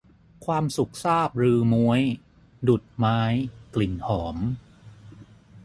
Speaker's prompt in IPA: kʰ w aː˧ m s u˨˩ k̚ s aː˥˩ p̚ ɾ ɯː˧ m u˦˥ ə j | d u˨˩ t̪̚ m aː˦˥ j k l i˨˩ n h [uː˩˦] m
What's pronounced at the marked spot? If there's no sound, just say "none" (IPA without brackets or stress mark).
ɔː˩˦